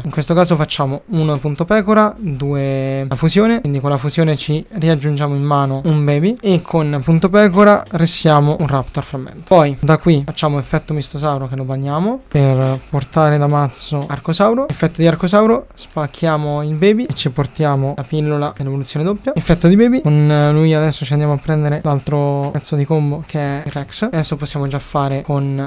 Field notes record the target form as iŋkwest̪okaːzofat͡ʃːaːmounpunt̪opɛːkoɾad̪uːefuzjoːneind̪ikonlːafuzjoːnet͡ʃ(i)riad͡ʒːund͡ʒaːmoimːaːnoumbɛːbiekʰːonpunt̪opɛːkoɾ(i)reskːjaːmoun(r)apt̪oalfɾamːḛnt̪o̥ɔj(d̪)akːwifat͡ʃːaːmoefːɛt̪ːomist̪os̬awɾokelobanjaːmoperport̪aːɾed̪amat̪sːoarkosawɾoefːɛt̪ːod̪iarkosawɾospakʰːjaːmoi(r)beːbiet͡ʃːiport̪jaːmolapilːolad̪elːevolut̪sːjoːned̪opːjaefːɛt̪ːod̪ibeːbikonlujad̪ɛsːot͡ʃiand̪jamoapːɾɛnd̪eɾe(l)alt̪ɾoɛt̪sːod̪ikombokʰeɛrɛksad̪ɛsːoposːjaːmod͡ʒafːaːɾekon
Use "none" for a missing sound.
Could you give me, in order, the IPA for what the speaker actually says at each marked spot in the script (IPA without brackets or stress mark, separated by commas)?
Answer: i, a, r, d̪, l, l